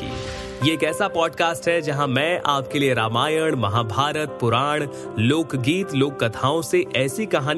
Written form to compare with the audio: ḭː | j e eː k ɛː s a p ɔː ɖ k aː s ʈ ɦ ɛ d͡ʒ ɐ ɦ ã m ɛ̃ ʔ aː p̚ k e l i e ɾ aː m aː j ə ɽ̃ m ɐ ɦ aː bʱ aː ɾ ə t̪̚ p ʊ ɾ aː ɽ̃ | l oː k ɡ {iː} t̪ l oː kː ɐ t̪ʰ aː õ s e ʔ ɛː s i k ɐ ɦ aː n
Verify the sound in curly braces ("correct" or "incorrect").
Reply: correct